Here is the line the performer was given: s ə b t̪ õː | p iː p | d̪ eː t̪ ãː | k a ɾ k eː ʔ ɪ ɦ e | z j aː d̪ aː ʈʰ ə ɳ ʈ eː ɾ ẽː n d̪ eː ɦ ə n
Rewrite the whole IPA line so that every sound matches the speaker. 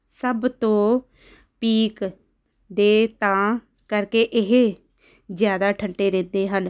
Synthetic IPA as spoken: s ə b t̪ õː | p iː k | d̪ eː t̪ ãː | k ə ɾ k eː ʔ ɪ ɦ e | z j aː d̪ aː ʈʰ ə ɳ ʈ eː ɾ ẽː n d̪ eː ɦ ə n